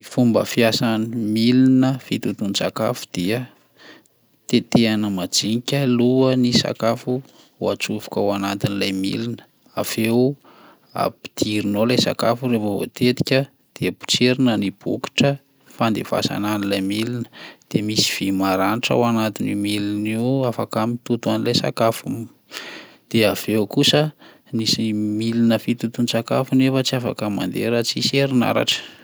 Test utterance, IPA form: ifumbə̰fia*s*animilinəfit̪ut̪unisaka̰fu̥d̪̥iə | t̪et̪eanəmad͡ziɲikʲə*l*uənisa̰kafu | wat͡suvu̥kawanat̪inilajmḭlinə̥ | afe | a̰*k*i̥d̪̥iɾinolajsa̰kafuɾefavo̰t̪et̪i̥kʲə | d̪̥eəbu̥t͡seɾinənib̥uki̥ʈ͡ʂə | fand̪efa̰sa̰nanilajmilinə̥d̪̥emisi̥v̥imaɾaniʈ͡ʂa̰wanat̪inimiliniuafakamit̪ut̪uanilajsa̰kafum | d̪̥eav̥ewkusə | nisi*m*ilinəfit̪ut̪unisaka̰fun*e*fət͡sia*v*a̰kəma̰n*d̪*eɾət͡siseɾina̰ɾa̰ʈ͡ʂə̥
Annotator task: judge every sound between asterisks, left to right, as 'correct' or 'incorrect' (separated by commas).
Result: correct, correct, incorrect, correct, correct, incorrect, correct